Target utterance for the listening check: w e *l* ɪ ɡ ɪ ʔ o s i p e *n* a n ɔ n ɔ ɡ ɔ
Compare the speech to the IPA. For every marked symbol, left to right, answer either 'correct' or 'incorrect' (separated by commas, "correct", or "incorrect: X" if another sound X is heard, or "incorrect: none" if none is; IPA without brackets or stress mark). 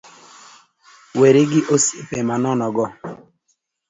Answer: incorrect: ɾ, incorrect: m